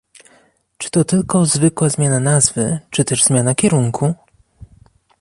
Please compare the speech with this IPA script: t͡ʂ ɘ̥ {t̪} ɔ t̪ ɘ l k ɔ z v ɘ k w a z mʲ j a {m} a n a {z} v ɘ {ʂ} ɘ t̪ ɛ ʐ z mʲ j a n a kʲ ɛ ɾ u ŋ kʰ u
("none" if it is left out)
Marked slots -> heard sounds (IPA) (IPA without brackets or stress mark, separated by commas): t̪, n, z, t͡ʂ